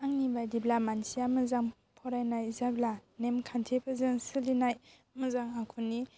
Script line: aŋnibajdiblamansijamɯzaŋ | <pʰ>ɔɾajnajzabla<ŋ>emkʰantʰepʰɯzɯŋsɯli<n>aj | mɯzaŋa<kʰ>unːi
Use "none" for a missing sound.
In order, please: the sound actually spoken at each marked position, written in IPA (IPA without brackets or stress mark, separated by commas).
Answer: pʰ, n, n, kʰ